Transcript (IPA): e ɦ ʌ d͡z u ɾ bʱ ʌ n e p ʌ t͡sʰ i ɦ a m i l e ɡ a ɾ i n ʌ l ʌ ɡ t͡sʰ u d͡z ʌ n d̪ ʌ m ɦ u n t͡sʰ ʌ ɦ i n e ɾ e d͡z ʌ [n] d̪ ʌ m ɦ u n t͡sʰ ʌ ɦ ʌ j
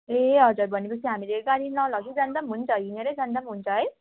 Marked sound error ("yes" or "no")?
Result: no